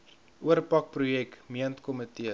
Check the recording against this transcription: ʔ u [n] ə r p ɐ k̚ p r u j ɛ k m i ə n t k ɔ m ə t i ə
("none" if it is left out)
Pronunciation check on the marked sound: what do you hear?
none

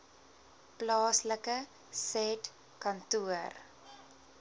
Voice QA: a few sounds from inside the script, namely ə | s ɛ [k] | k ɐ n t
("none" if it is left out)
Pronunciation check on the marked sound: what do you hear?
t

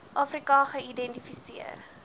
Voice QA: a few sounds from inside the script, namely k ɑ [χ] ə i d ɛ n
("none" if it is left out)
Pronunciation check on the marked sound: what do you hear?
χ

